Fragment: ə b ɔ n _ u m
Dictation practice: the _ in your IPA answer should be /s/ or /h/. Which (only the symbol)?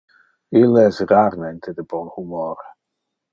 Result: h